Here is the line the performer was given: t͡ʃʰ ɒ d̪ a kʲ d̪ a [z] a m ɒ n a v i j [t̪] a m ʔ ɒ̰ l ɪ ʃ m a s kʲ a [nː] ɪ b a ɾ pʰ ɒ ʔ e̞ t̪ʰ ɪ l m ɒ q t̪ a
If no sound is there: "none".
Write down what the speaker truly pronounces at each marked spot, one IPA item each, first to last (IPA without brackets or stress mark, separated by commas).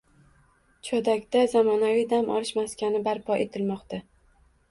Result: z, d̪, n